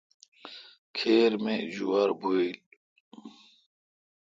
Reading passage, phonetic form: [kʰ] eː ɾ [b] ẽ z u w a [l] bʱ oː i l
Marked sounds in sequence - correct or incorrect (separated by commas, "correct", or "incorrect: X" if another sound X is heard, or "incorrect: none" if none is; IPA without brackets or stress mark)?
correct, incorrect: m, incorrect: ɾ